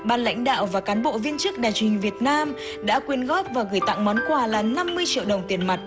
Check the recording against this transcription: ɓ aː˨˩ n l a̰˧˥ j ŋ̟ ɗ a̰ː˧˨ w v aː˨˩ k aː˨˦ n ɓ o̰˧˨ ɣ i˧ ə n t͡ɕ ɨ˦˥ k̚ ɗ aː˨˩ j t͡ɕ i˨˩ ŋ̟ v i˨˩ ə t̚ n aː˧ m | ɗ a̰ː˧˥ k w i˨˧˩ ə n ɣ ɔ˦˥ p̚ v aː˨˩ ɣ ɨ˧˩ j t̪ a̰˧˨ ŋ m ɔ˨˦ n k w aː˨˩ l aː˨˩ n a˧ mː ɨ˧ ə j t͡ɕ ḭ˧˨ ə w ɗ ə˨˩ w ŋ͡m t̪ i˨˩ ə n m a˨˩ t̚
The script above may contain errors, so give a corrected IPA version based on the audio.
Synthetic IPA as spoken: ɓ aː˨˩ n l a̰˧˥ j ŋ̟ ɗ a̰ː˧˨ w v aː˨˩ k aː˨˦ n ɓ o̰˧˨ v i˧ ə n t͡ɕ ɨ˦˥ k̚ ɗ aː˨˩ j t͡ɕ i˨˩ ŋ̟ v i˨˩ ə t̚ n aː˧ m | ɗ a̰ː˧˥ k w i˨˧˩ ə n ɣ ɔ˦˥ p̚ v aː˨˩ ɣ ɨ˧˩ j t̪ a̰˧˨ ŋ m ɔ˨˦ n k w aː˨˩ l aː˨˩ n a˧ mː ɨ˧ ə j t͡ɕ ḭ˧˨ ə w ɗ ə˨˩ w ŋ͡m t̪ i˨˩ ə n m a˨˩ t̚